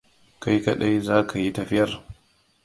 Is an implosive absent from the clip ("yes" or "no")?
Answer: no